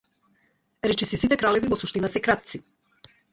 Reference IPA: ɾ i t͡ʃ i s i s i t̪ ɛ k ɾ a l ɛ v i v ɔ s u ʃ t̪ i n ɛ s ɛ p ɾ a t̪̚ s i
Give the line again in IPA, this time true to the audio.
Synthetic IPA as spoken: ɾ ɛ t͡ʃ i s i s i t̪ ɛ k ɾ a l ɛ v i v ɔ s u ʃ t̪ i n a s ɛ k ɾ a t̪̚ s i